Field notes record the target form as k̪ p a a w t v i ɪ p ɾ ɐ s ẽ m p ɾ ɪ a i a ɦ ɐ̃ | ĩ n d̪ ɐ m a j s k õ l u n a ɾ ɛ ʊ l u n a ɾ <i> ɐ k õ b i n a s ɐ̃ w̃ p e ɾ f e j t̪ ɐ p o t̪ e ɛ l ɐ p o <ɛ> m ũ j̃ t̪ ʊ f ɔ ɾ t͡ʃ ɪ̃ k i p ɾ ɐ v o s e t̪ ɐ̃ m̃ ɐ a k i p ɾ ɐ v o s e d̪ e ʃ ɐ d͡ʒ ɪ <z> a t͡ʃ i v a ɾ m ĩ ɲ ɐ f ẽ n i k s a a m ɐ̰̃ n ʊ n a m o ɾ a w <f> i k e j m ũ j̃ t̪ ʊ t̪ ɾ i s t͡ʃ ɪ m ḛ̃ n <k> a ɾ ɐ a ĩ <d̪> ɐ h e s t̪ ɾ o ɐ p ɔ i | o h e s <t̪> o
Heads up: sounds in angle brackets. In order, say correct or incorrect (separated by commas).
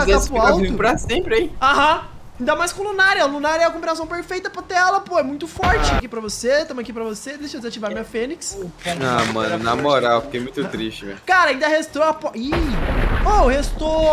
incorrect, correct, correct, correct, correct, correct, correct